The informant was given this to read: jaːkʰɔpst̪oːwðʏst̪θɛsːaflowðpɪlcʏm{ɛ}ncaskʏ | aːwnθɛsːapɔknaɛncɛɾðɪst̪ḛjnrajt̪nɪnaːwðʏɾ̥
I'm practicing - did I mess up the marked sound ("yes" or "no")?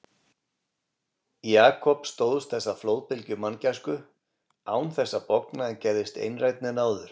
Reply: yes